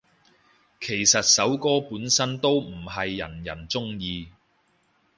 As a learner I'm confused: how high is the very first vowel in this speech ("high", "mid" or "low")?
mid